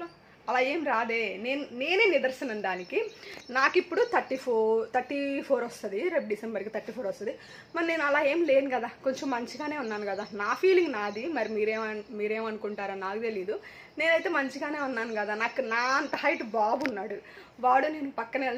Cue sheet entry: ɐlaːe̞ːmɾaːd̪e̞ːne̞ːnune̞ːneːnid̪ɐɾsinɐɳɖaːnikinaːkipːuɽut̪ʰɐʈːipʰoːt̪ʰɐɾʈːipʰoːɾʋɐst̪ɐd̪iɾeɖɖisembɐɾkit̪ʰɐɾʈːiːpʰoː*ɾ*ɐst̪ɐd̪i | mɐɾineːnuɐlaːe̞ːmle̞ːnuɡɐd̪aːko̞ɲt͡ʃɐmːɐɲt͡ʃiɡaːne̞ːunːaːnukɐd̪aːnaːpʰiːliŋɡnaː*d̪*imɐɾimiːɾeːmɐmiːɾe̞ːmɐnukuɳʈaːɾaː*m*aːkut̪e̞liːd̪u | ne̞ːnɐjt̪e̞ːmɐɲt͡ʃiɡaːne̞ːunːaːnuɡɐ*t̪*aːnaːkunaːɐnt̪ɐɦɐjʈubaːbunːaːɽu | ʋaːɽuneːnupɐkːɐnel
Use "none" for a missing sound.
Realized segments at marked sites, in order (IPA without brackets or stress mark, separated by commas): ɾ, d̪, n, d̪